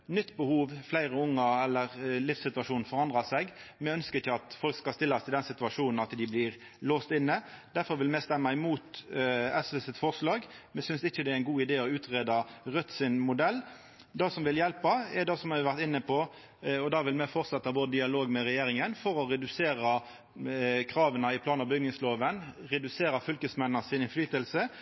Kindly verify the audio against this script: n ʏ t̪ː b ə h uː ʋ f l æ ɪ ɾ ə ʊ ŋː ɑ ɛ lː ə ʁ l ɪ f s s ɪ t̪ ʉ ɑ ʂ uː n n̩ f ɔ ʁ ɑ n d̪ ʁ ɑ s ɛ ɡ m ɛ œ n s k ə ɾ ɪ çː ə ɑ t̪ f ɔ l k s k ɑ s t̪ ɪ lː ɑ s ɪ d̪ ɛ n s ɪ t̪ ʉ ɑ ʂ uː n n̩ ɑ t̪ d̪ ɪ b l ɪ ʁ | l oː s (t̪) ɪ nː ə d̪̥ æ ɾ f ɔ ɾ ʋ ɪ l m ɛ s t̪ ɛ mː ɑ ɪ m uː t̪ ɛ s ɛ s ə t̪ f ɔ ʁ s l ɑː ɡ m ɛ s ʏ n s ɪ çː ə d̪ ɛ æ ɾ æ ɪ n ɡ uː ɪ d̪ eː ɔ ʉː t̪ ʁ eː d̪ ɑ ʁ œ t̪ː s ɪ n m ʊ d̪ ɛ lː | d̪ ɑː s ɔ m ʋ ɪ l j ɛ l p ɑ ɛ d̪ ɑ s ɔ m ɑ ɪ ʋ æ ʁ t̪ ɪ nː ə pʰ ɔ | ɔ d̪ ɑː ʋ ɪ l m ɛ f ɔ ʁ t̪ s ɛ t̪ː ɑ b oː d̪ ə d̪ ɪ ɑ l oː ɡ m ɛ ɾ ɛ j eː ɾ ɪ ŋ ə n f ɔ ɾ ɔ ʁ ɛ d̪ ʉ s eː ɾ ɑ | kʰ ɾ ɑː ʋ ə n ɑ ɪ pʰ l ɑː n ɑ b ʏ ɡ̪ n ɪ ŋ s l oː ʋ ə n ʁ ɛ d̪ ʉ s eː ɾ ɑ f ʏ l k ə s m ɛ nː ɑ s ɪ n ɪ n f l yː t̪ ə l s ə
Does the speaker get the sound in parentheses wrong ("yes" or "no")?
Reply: no